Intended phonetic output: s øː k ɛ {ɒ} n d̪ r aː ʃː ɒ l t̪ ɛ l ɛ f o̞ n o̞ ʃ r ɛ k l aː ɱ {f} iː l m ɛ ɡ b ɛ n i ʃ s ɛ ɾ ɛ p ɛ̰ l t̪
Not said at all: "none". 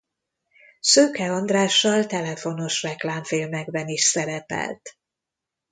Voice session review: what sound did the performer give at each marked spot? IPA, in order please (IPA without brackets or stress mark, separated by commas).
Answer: ɒ, f